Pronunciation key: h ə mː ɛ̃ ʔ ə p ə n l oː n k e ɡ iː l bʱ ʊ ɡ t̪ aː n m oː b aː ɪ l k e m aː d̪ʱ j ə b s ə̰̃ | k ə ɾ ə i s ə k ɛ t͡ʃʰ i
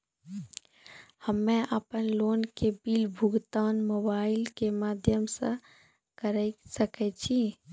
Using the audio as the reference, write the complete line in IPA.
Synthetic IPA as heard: h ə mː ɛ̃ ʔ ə p ə n l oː n k e b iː l bʱ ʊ ɡ t̪ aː n m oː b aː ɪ l k e m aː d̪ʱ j ə m s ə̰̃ | k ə ɾ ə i s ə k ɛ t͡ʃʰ i